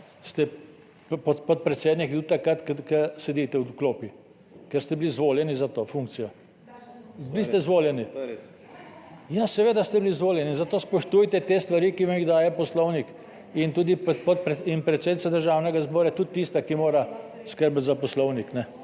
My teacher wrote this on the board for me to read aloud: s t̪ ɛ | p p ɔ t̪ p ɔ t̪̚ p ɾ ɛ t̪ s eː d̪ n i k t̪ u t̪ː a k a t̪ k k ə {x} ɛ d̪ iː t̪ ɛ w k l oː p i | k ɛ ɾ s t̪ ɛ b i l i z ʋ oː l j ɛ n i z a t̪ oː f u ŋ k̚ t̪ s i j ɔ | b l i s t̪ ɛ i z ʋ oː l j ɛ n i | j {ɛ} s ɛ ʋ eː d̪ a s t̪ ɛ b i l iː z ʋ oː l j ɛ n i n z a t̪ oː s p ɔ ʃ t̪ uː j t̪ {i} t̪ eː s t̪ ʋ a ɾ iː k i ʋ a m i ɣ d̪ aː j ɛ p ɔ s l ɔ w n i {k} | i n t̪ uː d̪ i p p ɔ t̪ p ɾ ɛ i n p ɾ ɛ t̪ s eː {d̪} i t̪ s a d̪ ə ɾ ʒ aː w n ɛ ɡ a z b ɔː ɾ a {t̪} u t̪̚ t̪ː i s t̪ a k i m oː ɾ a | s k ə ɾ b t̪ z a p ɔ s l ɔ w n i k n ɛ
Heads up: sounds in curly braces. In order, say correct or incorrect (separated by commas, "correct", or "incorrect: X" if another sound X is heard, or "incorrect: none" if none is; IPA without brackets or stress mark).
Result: incorrect: s, incorrect: a, incorrect: ɛ, correct, correct, correct